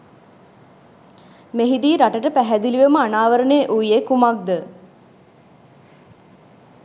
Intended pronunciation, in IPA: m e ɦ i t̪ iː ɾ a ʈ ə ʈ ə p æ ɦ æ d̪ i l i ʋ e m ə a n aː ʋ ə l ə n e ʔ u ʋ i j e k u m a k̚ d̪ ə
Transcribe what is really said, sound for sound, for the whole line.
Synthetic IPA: m e ɦ i d̪ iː ɾ a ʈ ə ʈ ə p æ ɦ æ d̪ i l i ʋ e m ə a n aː ʋ ə ɾ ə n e ʔ u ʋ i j e k u m a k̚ d̪ ə